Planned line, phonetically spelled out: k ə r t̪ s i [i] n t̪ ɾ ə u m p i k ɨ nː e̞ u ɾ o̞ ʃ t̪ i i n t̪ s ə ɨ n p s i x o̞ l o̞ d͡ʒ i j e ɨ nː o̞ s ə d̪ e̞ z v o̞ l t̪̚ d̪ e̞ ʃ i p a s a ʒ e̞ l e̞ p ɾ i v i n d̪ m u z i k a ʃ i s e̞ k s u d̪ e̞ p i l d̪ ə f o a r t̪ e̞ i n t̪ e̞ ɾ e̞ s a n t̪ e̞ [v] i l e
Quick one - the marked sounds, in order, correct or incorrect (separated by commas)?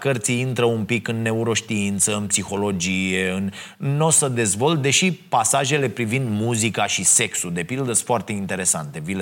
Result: correct, correct